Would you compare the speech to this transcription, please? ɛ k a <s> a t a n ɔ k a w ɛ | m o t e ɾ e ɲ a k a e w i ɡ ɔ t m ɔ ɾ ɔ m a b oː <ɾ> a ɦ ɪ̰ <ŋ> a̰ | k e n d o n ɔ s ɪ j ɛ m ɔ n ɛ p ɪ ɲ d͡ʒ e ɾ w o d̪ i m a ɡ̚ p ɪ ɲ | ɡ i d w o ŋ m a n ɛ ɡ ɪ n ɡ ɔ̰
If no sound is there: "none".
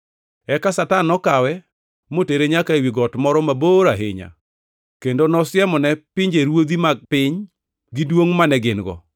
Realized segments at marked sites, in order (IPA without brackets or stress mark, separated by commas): s, ɾ, ɲ